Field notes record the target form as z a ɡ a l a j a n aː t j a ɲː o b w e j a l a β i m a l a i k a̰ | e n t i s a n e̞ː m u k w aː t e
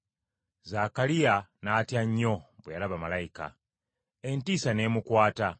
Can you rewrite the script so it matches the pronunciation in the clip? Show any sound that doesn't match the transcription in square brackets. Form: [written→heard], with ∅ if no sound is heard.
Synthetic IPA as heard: z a [ɡ→k] a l [a→i] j a n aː t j a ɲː o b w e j a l a β [i→a] m a l a i k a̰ | e n t i s a n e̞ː m u k w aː t [e→a]